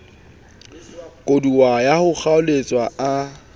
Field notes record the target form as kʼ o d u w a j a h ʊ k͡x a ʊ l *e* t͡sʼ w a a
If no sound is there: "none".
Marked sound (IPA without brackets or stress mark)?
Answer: e